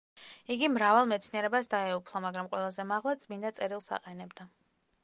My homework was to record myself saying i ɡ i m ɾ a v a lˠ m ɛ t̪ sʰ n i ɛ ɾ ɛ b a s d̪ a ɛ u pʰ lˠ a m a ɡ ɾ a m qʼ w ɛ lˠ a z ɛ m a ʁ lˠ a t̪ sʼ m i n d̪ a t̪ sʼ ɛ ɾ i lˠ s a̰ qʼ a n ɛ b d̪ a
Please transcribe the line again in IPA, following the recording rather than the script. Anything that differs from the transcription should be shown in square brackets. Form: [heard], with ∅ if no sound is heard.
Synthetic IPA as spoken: i ɡ i m ɾ a v a lˠ m ɛ t̪ sʰ n i ɛ ɾ ɛ b a s d̪ a ɛ u pʰ lˠ a m a ɡ ɾ a m qʼ w ɛ lˠ a z ɛ m a ʁ lˠ a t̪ sʼ m i n d̪ a t̪ sʼ ɛ ɾ i lˠ s a̰ qʼ [ɛ] n ɛ b d̪ a

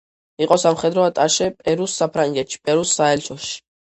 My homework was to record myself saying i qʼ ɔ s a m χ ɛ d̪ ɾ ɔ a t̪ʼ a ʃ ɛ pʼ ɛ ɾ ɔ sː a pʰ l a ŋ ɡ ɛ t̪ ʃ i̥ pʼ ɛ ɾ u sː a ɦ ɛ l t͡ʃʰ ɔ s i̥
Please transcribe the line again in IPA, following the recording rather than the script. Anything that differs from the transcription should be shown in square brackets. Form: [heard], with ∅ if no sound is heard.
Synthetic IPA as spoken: i qʼ ɔ s a m χ ɛ d̪ ɾ ɔ a t̪ʼ a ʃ ɛ pʼ ɛ ɾ [u] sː a pʰ [ɾ] a ŋ ɡ ɛ t̪ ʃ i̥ pʼ ɛ ɾ u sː a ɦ ɛ l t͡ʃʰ ɔ [ʃ] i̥

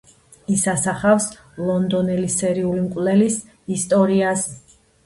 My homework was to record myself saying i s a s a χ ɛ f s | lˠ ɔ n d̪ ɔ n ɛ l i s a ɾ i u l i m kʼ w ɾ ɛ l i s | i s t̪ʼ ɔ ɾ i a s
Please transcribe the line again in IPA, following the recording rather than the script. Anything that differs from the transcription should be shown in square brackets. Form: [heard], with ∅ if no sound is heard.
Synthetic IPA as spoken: i s a s a χ [a] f s | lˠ ɔ n d̪ ɔ n ɛ l i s [ɛ] ɾ i u l i m kʼ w [l] ɛ l i s | i s t̪ʼ ɔ ɾ i a s

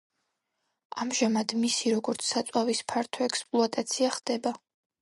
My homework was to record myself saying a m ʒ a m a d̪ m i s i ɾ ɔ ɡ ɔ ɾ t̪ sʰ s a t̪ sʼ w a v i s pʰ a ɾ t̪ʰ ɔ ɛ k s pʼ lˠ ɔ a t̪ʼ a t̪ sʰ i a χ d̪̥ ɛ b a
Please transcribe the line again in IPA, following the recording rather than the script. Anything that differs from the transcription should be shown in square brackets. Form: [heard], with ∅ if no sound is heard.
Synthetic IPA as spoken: a m ʒ a m a d̪ m i s i ɾ ɔ ɡ ɔ ɾ t̪ sʰ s a t̪ sʼ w a v i s pʰ a ɾ t̪ʰ ɔ ɛ k s pʼ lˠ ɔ a t̪ʼ a t̪ sʰ i a χ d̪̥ ɛ b a

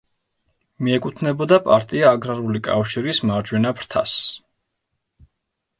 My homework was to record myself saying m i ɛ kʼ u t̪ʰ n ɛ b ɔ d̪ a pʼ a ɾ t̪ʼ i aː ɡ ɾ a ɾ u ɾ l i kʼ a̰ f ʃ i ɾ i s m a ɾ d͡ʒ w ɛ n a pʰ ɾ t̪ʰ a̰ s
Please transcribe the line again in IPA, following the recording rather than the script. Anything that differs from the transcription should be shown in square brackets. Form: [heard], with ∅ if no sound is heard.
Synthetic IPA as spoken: m i ɛ kʼ u t̪ʰ n ɛ b ɔ d̪ a pʼ a ɾ t̪ʼ i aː ɡ ɾ a ɾ u [∅] l i kʼ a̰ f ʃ i ɾ i s m a ɾ d͡ʒ w ɛ n a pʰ ɾ t̪ʰ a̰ s

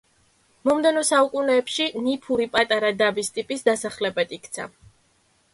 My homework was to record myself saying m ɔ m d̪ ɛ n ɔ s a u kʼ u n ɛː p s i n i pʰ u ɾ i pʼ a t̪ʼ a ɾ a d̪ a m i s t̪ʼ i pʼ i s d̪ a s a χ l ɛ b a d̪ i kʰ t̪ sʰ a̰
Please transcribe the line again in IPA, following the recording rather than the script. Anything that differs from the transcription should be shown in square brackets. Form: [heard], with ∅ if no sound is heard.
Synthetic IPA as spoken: m ɔ m d̪ ɛ n ɔ s a u kʼ u n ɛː p [ʃ] i n i pʰ u ɾ i pʼ a t̪ʼ a ɾ a d̪ a [b] i s t̪ʼ i pʼ i s d̪ a s a χ l ɛ b a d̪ i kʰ t̪ sʰ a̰

